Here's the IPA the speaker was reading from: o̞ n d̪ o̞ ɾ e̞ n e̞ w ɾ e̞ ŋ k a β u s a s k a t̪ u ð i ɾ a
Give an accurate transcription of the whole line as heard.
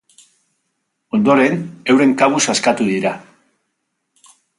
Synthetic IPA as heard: o̞ n d̪ o̞ ɾ e̞ n e̞ w ɾ e̞ ŋ k a β u s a s k a t̪ u ð i ɾ a